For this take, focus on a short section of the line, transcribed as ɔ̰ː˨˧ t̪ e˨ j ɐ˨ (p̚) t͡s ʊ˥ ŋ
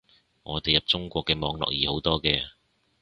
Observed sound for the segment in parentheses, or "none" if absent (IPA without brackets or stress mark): p̚